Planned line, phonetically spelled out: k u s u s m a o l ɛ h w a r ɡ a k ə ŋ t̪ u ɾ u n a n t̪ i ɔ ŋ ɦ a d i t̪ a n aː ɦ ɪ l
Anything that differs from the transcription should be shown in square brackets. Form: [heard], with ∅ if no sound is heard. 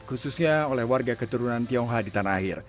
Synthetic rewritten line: k u s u s [ɲ] a o l ɛ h w a r ɡ a k ə [∅] t̪ u ɾ u n a n t̪ i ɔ ŋ ɦ a d i t̪ a n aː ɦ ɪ [r]

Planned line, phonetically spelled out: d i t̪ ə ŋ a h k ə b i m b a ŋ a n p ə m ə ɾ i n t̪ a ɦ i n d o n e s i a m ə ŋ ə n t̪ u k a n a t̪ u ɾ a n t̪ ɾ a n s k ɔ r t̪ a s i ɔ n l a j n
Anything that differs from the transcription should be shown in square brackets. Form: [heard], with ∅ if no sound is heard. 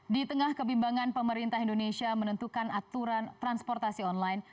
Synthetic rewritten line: d i t̪ ə ŋ a h k ə b i m b a ŋ a n p ə m ə ɾ i n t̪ a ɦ i n d o n e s i a m ə [n] ə n t̪ u k a n a t̪ u ɾ a n t̪ ɾ a n s [p] ɔ r t̪ a s i ɔ n l a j n

